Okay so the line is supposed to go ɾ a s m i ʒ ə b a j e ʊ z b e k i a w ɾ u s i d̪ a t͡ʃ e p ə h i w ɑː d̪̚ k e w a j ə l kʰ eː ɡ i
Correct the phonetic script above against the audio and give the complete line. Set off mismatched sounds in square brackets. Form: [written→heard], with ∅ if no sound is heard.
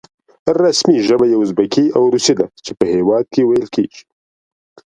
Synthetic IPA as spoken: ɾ a s m i ʒ ə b a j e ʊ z b [e→a] k i a w ɾ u s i d̪ a t͡ʃ e p ə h [i→e] w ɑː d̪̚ k e w a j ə l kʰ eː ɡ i